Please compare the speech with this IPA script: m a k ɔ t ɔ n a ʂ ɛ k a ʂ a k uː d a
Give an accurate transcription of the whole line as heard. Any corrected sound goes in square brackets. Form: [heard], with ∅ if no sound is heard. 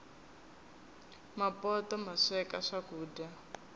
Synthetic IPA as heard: m a [p] ɔ t ɔ [m] a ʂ ɛ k a ʂ a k uː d a